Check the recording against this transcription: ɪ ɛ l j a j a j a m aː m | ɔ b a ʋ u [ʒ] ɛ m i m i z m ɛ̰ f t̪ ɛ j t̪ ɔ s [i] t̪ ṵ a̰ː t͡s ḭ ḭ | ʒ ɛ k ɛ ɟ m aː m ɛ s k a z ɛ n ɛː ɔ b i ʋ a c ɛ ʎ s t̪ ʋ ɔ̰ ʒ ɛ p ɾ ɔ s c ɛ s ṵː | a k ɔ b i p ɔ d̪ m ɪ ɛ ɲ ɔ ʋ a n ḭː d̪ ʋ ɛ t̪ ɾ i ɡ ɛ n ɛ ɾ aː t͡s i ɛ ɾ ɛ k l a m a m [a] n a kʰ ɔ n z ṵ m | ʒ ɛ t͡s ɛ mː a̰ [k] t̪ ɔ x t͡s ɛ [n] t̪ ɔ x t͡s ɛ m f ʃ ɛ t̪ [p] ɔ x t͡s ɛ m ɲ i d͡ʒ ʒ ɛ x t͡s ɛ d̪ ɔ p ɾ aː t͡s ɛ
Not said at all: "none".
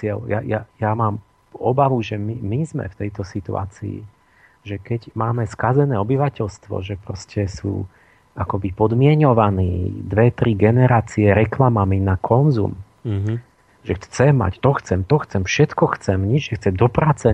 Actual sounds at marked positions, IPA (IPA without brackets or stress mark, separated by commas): ʒ, i, i, c, m, k